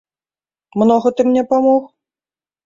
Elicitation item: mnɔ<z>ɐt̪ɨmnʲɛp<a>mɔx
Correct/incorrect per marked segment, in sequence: incorrect: ɣ, correct

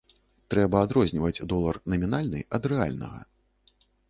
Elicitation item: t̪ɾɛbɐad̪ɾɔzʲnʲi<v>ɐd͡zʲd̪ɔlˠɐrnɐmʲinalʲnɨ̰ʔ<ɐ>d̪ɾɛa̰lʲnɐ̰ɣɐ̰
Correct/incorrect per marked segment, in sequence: correct, correct

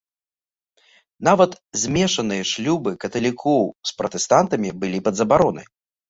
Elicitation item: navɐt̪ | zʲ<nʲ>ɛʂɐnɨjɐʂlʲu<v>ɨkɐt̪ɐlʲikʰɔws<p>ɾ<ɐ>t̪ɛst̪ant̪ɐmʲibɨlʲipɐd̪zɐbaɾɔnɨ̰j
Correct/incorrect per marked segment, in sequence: incorrect: mʲ, incorrect: b, correct, correct

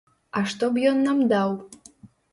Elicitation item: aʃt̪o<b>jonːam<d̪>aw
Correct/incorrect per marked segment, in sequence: correct, correct

